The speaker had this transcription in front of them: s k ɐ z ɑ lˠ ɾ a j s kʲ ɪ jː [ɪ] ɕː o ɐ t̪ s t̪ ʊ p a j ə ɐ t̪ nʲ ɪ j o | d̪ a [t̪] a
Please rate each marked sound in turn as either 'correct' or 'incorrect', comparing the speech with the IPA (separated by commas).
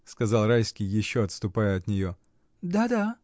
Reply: correct, incorrect